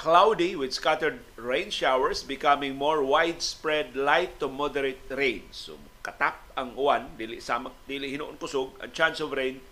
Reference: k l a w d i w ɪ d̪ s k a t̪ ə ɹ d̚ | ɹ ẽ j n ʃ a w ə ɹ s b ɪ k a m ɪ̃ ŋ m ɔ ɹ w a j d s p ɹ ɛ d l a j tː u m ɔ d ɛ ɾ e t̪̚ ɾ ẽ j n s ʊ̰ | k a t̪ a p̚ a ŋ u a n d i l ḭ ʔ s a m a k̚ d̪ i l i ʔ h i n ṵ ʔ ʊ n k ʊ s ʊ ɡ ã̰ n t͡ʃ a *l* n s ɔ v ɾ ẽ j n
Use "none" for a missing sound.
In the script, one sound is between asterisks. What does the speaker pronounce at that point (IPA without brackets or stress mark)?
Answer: none